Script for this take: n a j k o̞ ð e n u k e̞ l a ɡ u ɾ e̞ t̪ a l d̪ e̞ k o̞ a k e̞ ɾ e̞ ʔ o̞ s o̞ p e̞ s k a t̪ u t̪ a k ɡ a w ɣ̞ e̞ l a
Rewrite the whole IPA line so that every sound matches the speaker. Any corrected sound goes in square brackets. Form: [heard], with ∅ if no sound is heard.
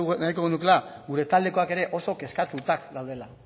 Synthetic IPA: n a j k o̞ [ɣ] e n u k e̞ l a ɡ u ɾ e̞ t̪ a l d̪ e̞ k o̞ a k e̞ ɾ e̞ ʔ o̞ s o̞ [k] e̞ s k a t̪ u t̪ a k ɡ a w [ð̞] e̞ l a

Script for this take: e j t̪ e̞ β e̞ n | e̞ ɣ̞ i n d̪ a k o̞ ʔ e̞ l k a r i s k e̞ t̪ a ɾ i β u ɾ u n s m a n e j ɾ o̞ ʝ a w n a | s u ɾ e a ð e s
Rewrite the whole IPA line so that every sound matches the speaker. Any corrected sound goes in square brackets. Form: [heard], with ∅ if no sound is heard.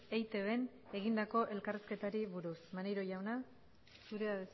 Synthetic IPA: e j t̪ e̞ β e̞ n | e̞ ɣ̞ i n d̪ a k o̞ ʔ e̞ l k a r i s k e̞ t̪ a ɾ i β u ɾ u [∅] s m a n e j ɾ o̞ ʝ a w n a | s u ɾ e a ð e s

